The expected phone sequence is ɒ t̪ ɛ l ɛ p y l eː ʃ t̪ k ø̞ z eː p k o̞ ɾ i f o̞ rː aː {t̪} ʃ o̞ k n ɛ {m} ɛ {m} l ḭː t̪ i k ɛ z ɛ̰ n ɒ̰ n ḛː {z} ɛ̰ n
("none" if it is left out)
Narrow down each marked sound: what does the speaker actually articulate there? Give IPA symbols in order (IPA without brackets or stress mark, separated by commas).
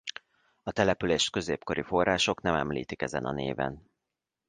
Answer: none, m, m, v